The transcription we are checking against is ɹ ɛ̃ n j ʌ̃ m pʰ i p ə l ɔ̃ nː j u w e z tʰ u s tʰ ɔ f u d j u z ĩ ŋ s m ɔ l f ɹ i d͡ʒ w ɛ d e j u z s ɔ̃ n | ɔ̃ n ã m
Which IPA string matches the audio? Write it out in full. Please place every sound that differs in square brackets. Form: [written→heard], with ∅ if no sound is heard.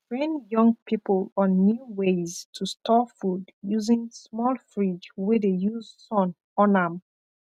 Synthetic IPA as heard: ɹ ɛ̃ n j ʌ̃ [m→ŋ] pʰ i p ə l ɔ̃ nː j u w e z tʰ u s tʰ ɔ f u d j u z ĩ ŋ s m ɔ l f ɹ i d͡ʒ w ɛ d e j u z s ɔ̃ n | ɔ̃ n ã m